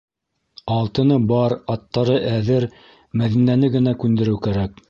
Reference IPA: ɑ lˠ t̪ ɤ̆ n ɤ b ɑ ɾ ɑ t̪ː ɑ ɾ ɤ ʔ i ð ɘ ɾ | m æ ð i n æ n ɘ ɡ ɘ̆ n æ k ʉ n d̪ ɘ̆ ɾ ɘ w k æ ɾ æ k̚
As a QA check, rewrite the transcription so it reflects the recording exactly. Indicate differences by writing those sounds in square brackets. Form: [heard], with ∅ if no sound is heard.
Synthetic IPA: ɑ lˠ t̪ ɤ̆ n ɤ b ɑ ɾ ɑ t̪ː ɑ ɾ ɤ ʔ [æ] ð ɘ ɾ | m æ ð i n æ n ɘ ɡ ɘ̆ n æ k ʉ n d̪ ɘ̆ ɾ ɘ w k æ ɾ æ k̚